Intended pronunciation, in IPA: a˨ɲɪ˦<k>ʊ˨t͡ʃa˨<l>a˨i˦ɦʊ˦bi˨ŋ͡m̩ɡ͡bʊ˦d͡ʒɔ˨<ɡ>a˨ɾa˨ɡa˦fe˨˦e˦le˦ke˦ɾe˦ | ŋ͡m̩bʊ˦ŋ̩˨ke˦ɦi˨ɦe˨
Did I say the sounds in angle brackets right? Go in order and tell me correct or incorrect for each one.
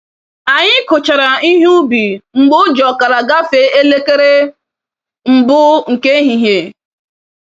correct, incorrect, incorrect

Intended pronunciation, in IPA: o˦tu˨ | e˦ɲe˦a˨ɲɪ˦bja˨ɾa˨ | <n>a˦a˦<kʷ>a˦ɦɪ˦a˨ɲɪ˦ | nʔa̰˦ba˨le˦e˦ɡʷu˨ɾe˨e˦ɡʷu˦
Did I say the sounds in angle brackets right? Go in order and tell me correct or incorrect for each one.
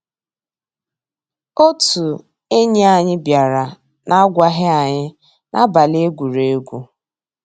correct, incorrect

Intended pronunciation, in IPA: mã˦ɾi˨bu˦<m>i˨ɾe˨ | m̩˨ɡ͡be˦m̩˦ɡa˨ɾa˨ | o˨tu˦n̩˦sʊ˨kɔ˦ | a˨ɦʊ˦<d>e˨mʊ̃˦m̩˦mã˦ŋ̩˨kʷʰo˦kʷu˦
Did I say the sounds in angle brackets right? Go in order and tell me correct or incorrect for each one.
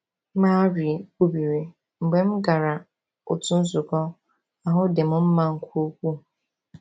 incorrect, correct

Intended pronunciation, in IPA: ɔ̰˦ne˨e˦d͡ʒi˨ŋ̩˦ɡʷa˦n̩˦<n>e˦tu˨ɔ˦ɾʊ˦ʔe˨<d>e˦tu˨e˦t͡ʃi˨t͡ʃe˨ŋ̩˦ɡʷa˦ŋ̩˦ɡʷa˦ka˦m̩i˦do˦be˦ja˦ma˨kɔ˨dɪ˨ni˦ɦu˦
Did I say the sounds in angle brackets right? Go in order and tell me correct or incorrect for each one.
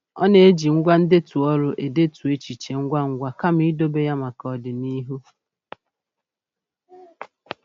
incorrect, correct

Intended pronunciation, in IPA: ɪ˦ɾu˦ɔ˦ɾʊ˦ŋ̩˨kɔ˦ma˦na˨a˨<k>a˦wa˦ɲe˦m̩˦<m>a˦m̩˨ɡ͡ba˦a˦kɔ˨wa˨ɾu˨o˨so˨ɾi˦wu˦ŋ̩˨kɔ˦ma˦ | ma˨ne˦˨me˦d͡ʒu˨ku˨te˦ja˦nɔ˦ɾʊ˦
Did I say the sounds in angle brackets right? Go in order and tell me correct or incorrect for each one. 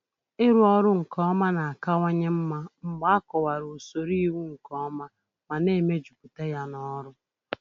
correct, correct

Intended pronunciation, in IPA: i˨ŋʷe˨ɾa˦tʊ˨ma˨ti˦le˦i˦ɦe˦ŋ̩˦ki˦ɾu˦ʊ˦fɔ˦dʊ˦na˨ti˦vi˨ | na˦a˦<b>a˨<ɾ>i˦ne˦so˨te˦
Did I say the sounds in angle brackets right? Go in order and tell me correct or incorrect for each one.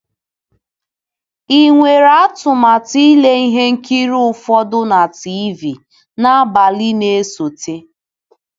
correct, incorrect

